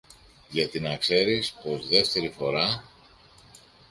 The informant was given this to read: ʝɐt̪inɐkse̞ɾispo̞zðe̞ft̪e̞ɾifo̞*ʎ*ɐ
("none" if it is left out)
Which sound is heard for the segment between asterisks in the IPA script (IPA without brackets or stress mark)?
ɾ